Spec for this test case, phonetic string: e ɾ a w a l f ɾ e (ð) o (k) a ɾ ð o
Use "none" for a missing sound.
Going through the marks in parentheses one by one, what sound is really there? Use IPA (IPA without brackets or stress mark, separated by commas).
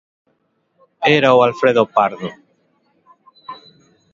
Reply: ð, p